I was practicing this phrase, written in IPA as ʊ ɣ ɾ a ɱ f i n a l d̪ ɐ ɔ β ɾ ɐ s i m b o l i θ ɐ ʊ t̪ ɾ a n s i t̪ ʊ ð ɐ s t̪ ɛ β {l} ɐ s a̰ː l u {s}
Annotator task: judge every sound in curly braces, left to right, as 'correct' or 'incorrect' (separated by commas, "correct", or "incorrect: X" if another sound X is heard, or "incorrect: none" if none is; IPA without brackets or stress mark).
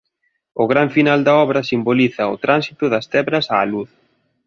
incorrect: ɾ, incorrect: θ